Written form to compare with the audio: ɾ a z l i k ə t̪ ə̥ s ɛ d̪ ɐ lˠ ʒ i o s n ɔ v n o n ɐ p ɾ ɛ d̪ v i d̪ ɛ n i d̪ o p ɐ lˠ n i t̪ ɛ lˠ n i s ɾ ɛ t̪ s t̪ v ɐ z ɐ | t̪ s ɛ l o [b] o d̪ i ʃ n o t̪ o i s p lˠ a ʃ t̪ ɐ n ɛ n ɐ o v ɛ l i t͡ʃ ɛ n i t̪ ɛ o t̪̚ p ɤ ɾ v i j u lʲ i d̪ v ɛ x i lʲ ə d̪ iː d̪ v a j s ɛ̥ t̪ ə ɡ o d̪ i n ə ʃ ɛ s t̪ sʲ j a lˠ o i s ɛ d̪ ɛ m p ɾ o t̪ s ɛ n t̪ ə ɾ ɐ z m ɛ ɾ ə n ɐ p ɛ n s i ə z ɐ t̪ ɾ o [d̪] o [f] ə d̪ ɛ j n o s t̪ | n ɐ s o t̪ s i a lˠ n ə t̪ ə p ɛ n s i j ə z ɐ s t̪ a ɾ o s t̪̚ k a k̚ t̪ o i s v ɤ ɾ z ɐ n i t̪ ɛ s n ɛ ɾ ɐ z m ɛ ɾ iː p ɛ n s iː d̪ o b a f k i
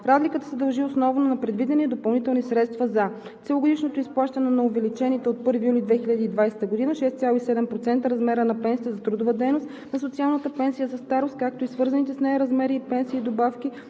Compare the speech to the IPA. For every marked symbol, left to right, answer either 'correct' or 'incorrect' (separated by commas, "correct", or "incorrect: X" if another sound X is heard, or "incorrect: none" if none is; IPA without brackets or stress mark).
incorrect: ɡ, correct, incorrect: v